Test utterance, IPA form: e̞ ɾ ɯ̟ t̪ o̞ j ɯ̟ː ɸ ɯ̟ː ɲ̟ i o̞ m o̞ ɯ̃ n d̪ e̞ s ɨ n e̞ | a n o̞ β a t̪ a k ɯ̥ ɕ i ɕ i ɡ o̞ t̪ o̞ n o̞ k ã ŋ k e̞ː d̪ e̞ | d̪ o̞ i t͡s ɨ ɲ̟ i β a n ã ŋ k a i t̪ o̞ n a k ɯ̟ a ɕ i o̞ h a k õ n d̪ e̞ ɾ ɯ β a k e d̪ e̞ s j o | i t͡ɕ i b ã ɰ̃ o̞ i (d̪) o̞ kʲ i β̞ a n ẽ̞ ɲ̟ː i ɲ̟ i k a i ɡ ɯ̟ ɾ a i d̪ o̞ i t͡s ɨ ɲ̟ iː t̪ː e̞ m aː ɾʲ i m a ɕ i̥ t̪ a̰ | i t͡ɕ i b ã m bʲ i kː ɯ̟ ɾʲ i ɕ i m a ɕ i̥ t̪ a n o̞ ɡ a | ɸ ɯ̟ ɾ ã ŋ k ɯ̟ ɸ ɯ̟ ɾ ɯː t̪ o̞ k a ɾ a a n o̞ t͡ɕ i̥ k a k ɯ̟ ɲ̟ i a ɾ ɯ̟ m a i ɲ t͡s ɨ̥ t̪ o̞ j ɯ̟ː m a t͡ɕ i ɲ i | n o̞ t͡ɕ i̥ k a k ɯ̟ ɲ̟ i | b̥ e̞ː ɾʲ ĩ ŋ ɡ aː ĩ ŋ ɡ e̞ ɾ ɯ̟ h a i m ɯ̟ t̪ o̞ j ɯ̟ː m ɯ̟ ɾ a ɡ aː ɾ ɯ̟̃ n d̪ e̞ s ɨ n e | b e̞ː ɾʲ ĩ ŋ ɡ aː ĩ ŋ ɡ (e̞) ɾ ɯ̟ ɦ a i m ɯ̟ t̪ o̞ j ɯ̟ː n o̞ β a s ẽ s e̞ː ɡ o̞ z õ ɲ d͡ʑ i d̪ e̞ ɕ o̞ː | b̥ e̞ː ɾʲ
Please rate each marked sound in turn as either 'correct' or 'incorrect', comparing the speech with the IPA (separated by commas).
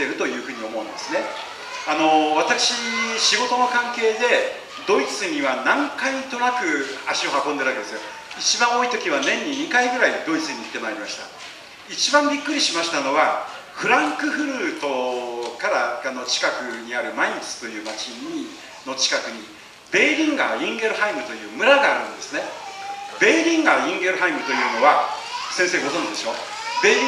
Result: incorrect, correct